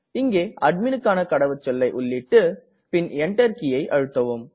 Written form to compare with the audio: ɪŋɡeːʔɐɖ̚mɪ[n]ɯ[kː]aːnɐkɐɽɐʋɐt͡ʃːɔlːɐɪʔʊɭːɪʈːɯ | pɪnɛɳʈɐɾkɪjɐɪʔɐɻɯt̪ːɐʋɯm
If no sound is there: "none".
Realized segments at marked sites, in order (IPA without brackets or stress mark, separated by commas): n, kː